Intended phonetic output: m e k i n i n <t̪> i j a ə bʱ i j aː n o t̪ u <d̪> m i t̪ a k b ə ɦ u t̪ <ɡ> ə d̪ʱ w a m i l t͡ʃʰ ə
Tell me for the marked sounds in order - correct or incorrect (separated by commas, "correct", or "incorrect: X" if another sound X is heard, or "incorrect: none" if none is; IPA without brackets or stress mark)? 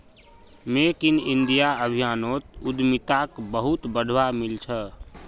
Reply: incorrect: d̪, correct, incorrect: b